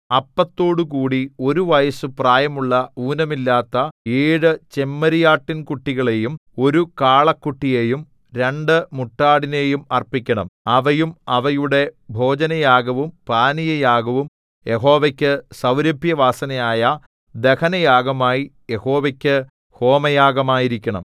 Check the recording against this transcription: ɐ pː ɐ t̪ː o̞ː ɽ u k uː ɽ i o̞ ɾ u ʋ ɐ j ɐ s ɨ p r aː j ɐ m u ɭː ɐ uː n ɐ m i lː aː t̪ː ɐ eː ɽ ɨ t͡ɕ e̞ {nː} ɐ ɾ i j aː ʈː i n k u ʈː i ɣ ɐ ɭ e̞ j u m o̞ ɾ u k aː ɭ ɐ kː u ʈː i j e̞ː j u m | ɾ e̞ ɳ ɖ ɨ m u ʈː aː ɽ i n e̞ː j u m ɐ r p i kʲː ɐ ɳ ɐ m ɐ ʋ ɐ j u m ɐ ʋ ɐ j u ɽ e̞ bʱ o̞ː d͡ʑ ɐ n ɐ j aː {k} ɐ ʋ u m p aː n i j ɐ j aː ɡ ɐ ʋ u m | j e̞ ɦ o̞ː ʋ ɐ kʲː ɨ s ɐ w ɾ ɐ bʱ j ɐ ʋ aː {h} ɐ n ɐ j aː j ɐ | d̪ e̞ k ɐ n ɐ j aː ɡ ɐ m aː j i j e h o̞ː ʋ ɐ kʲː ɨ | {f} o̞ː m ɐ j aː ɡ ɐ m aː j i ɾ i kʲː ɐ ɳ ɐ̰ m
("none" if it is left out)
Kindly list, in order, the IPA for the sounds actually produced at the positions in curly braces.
mː, ɡ, s, h

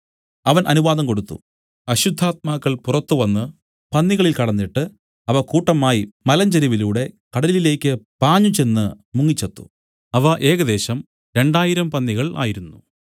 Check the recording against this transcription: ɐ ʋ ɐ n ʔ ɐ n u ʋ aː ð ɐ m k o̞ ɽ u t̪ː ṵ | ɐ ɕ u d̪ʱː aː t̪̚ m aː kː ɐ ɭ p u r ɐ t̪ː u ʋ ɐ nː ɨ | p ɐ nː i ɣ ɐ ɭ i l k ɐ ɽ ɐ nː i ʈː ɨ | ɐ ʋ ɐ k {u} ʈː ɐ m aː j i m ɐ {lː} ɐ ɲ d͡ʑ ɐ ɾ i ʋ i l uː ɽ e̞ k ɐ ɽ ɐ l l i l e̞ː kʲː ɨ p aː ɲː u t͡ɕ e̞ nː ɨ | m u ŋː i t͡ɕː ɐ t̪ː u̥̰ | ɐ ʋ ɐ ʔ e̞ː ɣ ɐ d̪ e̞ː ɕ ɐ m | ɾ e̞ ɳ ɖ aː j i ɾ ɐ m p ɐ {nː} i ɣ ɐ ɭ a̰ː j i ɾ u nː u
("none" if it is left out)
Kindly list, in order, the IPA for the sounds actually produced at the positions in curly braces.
uː, l, nː

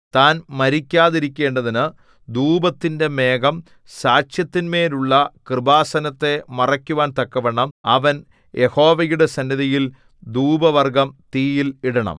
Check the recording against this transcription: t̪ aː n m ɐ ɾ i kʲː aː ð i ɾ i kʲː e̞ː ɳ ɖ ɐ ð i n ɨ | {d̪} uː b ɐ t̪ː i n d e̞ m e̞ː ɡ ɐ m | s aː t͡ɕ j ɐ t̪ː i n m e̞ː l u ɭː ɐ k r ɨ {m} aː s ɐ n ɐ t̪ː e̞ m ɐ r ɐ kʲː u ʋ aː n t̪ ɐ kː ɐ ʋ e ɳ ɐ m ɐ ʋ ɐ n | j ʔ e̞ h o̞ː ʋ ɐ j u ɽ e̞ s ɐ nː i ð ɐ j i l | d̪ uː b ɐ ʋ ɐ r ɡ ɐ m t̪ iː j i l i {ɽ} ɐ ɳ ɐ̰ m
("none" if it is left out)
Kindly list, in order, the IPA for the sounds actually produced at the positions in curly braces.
d̪, b, ɽ

